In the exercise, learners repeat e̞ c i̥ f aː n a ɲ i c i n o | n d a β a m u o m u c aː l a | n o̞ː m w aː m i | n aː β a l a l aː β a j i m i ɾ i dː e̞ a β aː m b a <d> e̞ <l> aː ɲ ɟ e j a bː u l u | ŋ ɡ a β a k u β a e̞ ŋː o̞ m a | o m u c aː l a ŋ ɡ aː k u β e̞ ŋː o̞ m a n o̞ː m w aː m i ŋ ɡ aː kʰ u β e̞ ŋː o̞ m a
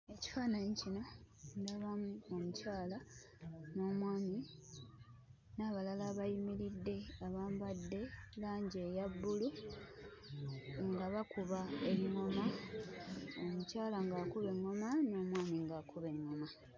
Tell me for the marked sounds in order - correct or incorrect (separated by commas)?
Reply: incorrect, correct